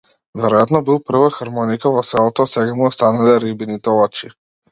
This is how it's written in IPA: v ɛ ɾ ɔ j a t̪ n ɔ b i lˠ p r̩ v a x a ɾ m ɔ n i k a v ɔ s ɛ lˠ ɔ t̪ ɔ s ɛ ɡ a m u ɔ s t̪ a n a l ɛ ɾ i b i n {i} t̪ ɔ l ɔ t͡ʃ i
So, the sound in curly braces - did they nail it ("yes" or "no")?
yes